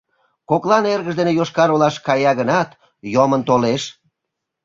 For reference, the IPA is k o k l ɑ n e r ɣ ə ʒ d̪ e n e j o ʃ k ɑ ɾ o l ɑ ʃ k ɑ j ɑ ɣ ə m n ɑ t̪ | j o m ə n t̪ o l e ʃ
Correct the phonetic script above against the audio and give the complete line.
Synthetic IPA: k o k l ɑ n e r ɣ ə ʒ d̪ e n e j o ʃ k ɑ ɾ o l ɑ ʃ k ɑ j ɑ ɣ ə n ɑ t̪ | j o m ə n t̪ o l e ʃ